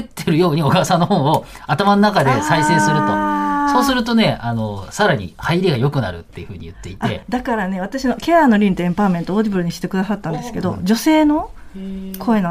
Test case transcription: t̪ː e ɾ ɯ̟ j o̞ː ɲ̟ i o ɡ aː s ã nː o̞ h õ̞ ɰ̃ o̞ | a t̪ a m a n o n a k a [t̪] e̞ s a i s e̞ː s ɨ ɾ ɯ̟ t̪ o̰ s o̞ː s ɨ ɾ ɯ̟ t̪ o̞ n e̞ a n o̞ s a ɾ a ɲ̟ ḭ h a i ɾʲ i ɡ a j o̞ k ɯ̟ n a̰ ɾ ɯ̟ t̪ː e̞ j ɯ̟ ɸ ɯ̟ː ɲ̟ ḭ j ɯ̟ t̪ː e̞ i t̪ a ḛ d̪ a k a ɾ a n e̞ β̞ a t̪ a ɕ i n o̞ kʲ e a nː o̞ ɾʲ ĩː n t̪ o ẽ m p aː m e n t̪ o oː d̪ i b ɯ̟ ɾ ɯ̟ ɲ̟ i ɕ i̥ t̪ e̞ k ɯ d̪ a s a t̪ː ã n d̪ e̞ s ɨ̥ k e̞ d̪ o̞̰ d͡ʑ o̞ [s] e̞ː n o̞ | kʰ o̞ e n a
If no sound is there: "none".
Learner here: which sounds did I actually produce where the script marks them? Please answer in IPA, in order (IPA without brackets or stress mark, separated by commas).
d̪, s